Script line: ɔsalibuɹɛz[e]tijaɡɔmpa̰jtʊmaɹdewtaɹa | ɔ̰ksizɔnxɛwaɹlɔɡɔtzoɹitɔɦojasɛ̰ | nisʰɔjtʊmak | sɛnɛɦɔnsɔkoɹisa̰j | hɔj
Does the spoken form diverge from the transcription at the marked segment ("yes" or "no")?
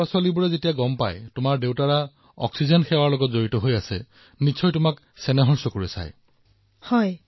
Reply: no